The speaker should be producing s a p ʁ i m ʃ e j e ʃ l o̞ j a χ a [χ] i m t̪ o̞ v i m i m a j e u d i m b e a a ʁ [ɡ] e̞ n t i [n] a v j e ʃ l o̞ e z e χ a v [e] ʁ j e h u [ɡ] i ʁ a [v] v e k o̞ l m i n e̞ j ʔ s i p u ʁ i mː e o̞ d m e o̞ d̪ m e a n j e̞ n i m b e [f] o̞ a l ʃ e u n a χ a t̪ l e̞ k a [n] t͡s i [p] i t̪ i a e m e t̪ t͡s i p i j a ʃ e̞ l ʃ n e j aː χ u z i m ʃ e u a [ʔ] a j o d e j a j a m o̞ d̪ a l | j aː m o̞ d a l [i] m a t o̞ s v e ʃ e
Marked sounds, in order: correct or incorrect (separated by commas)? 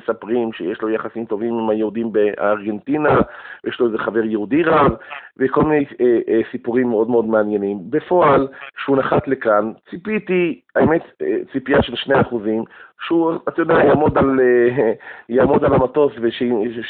incorrect, correct, correct, correct, incorrect, correct, correct, correct, correct, incorrect, incorrect